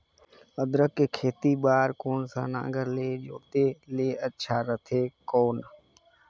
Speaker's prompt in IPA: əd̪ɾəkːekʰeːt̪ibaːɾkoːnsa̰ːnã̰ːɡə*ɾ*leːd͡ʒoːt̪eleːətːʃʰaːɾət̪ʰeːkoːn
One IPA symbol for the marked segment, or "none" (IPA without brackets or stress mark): ɾ